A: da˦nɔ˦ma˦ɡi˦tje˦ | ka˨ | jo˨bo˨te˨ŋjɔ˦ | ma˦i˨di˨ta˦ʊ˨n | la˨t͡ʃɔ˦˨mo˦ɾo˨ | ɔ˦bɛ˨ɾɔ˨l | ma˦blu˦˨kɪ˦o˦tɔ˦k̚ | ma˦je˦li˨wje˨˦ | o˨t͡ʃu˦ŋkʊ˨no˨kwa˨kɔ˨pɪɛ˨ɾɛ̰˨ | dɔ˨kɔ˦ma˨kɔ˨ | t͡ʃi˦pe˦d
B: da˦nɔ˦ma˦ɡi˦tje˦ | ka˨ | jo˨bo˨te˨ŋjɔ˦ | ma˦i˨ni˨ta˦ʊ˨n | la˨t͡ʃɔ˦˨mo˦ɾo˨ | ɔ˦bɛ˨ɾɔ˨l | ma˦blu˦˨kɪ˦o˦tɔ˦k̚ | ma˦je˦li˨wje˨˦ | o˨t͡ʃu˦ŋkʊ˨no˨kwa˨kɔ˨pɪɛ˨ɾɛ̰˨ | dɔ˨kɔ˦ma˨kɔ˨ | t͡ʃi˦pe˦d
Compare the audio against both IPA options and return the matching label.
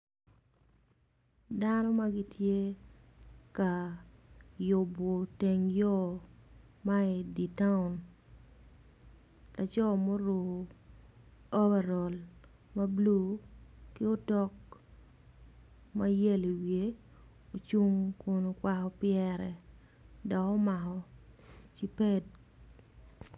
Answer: A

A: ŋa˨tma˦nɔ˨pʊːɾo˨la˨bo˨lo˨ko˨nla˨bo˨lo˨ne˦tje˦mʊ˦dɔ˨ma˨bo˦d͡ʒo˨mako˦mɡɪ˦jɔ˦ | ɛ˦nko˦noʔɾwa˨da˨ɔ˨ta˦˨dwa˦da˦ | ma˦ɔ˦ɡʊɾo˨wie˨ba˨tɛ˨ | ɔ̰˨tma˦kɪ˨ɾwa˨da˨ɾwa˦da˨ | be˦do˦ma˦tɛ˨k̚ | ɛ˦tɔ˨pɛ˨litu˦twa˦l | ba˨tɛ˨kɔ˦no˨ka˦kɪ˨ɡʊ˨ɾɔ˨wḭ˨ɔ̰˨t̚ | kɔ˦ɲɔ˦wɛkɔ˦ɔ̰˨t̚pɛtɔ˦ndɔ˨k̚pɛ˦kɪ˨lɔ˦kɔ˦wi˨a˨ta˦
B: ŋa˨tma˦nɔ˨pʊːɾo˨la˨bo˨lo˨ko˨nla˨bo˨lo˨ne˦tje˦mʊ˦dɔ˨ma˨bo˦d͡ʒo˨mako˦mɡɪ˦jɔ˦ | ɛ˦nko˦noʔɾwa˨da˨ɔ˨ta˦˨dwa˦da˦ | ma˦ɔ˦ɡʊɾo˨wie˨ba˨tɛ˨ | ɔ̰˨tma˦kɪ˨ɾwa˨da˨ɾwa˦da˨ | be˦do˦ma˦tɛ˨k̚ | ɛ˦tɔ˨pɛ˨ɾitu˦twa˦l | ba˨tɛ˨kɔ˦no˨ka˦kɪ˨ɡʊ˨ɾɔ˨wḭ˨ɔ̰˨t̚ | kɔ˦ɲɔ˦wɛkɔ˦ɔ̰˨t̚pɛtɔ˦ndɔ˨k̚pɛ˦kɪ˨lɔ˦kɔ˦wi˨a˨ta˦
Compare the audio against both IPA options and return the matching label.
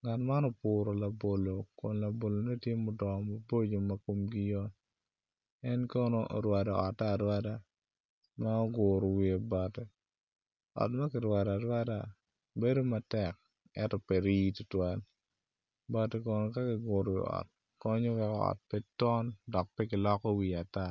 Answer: B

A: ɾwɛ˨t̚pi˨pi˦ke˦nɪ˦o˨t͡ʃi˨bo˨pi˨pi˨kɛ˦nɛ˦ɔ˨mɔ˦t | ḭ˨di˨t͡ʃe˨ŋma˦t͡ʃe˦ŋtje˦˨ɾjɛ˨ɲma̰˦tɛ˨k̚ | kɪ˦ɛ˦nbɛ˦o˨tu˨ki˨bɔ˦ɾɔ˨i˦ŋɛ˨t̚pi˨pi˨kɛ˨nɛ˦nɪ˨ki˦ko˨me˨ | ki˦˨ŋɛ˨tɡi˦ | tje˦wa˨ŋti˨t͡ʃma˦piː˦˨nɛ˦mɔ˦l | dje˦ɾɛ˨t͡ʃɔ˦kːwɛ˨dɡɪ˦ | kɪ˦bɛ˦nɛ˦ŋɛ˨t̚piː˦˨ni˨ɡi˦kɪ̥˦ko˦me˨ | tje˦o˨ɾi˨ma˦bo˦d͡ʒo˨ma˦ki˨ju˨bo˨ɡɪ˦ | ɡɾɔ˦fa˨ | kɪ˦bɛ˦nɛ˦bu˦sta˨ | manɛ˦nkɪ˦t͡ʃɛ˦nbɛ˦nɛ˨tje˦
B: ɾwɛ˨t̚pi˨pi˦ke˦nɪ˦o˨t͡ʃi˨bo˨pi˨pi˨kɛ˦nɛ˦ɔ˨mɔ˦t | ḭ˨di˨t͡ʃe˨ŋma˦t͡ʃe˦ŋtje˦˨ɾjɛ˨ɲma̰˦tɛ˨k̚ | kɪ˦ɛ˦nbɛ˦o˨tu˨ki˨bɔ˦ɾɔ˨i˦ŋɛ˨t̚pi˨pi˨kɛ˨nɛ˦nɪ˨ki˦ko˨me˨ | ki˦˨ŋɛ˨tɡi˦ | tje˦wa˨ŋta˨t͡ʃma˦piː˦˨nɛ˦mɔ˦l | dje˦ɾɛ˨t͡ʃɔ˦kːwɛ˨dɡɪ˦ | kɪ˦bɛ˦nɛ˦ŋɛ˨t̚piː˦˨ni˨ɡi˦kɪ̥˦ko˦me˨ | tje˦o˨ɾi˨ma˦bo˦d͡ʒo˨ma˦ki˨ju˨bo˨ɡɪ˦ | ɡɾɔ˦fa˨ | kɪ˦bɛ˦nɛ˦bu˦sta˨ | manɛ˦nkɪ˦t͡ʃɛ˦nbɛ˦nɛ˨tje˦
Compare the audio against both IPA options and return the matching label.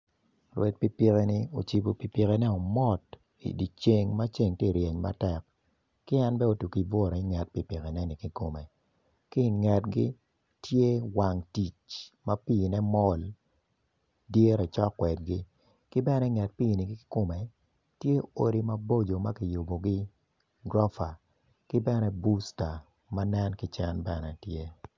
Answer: A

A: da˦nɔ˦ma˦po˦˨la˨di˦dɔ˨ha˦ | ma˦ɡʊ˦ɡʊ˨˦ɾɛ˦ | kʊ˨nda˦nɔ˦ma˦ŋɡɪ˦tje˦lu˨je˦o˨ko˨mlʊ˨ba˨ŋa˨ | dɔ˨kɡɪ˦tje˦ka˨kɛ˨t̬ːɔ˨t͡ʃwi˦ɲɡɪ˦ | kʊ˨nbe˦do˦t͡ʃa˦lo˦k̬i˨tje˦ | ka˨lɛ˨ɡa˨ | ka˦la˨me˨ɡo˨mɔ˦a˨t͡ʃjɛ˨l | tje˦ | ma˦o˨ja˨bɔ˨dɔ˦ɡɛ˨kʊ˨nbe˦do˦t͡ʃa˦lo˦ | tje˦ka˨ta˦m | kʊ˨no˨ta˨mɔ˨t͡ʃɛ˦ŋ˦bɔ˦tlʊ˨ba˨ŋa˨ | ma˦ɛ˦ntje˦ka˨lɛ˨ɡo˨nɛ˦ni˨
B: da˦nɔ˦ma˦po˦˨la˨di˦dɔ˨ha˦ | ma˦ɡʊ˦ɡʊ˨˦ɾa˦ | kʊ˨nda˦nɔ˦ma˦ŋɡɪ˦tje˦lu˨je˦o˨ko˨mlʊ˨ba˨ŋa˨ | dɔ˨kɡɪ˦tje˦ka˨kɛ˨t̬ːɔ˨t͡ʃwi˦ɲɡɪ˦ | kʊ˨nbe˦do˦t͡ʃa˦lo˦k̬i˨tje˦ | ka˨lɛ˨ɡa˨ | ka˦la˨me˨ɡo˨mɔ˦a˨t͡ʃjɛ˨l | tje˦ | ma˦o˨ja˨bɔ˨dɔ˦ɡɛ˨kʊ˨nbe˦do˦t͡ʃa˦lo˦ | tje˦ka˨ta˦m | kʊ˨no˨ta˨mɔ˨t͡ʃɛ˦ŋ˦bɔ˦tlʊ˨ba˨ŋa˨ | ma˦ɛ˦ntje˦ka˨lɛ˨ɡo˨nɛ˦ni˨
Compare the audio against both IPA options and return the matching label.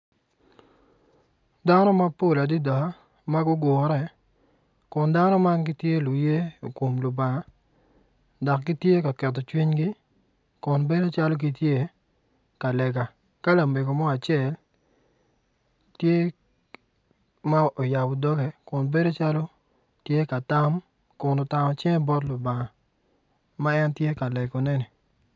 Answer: A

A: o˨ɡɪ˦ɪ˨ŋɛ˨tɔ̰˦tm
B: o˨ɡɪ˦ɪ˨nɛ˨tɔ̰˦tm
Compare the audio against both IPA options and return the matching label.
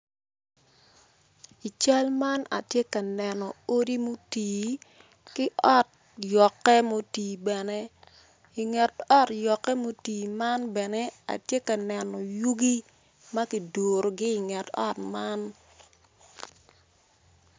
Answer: A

